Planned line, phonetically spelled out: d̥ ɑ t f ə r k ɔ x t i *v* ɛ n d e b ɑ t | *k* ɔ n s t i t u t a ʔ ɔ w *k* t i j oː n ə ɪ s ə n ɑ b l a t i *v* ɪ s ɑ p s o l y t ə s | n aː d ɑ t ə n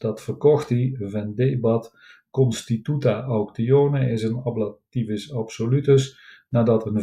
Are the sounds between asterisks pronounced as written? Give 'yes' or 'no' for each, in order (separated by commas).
yes, yes, yes, yes